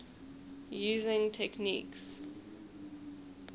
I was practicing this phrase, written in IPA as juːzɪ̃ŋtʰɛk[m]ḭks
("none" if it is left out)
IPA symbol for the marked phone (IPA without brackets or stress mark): n